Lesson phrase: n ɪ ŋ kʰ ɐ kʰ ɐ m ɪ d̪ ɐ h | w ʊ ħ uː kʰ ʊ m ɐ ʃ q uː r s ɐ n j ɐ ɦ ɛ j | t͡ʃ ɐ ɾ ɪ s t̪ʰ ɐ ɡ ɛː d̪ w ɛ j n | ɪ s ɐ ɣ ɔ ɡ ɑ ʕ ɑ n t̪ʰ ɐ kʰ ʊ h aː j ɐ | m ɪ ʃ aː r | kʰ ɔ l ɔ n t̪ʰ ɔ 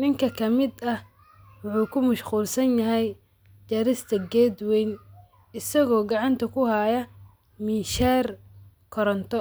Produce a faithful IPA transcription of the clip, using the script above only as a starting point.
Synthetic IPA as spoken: n ɪ ŋ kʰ ɐ kʰ ɐ m ɪ d̪ ɐ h | w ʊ ħ uː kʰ ʊ m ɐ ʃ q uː l s ɐ n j ɐ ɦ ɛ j | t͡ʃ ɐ ɾ ɪ s t̪ʰ ɐ ɡ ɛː d̪ w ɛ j n | ɪ s ɐ ɣ ɔː ɡ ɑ ʕ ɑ n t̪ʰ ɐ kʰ ʊ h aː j ɐ | m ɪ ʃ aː r | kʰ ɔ ɾ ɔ n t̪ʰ ɔ